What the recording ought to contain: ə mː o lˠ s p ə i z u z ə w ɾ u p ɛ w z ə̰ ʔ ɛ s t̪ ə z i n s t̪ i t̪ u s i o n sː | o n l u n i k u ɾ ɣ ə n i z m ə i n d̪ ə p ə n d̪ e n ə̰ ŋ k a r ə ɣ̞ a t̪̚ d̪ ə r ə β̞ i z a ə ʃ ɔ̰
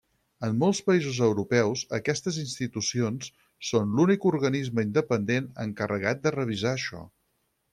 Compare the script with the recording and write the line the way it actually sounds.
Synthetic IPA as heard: ə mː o lˠ s p ə i z u z ə w ɾ u p ɛ w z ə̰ k ɛ s t̪ ə z i n s t̪ i t̪ u s i o n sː | o n l u n i k u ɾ ɣ ə n i z m ə i n d̪ ə p ə n d̪ e n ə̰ ŋ k ə r ə ɣ̞ a t̪̚ d̪ ə r ə β̞ i z a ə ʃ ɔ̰